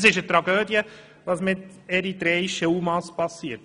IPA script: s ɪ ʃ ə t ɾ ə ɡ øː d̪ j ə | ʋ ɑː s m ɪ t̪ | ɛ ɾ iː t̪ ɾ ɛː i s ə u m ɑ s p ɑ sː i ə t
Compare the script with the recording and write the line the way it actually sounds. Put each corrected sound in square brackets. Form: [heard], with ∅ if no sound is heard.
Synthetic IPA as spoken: s ɪ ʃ ə t ɾ [ɑ] ɡ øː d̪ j ə | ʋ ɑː s m ɪ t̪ | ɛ ɾ [i] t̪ ɾ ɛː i [ʃ] ə u m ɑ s p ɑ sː i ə t